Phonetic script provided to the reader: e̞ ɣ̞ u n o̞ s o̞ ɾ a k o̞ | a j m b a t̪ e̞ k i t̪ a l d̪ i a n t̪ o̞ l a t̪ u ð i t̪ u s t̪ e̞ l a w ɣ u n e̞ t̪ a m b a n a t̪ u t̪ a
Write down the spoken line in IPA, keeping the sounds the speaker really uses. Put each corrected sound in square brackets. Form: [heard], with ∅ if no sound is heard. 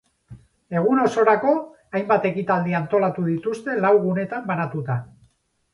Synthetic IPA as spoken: e̞ ɣ̞ u n o̞ s o̞ ɾ a k o̞ | a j m b a t̪ e̞ k i t̪ a l d̪ i a n t̪ o̞ l a t̪ u ð i t̪ u s t̪ e̞ l a w ɣ u n e̞ t̪ a m b a n a t̪ u t̪ a